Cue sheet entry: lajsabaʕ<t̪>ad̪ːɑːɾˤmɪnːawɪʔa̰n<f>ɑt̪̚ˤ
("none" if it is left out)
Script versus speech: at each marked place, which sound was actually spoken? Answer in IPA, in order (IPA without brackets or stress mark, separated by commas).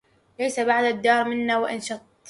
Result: d̪, ʃ